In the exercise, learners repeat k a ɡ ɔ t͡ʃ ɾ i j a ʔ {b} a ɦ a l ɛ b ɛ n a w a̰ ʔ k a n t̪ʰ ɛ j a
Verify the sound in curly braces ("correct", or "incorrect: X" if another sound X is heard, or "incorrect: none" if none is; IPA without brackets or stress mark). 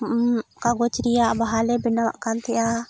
correct